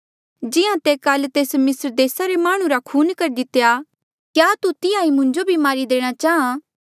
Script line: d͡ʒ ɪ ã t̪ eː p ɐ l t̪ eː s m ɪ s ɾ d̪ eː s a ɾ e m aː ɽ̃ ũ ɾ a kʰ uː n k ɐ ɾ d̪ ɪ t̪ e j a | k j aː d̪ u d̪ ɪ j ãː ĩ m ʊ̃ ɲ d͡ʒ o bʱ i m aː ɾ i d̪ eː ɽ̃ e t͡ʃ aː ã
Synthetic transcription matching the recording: d͡ʒ ɪ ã t̪ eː k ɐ l t̪ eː s m ɪ s ɾ d̪ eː s a ɾ e m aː ɽ̃ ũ ɾ a kʰ uː n k ɐ ɾ d̪ ɪ t̪ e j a | k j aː t̪ u t̪ ɪ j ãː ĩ m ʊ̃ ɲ d͡ʒ o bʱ i m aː ɾ i d̪ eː ɽ̃ a t͡ʃ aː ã